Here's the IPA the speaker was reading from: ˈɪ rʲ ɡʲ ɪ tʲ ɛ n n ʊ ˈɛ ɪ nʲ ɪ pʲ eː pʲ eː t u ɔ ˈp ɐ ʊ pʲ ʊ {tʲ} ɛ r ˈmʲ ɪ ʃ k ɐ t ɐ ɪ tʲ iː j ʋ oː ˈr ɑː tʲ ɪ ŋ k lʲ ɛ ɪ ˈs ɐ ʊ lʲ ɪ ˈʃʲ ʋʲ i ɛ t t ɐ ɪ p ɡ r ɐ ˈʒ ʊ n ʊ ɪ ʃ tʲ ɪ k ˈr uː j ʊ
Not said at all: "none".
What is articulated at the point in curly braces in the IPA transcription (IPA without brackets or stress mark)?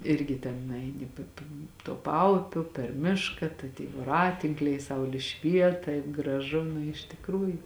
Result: pʲ